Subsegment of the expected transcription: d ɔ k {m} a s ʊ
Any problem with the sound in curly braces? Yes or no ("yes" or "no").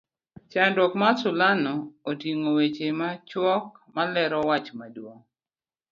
no